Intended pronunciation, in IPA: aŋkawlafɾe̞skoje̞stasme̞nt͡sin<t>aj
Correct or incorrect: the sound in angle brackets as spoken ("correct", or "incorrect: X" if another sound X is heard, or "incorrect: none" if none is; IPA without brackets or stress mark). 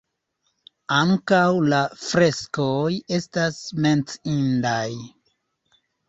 incorrect: d